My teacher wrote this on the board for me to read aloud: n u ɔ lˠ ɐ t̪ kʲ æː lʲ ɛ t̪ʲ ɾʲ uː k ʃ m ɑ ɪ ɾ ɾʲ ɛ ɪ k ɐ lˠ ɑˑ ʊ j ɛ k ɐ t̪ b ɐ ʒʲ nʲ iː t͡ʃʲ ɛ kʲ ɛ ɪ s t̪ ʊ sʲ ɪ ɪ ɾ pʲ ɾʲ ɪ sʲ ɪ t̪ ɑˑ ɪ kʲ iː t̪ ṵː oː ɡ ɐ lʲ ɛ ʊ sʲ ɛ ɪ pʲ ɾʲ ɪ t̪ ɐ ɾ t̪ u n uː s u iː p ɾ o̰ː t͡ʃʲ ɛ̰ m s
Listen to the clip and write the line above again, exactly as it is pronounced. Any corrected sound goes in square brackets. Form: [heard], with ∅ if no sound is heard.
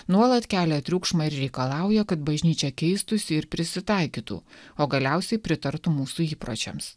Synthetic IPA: n u ɔ lˠ ɐ t̪ kʲ æː lʲ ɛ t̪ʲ ɾʲ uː k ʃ m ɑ ɪ ɾ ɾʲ ɛ ɪ k ɐ lˠ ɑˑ ʊ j ɛ k ɐ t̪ b ɐ ʒʲ nʲ iː t͡ʃʲ ɛ kʲ ɛ ɪ s t̪ ʊ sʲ ɪ ɪ ɾ pʲ ɾʲ ɪ sʲ ɪ t̪ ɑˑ ɪ kʲ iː t̪ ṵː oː ɡ ɐ lʲ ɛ ʊ sʲ ɛ ɪ pʲ ɾʲ ɪ t̪ ɐ ɾ t̪ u [m] uː s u iː p ɾ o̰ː t͡ʃʲ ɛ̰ m s